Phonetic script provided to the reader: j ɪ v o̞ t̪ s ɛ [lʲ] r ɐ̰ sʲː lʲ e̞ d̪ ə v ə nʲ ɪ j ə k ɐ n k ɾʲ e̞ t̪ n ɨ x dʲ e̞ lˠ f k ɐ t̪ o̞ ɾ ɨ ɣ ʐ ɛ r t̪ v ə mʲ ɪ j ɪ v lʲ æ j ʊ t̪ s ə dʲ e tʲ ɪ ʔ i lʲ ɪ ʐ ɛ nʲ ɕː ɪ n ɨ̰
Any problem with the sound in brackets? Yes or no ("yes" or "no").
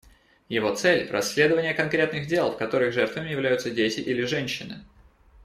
no